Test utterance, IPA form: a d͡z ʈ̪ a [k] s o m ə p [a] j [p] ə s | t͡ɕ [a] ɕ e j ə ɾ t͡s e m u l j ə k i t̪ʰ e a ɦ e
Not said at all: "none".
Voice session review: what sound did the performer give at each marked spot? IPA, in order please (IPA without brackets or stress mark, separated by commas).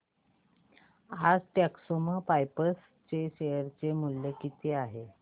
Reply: k, a, p, e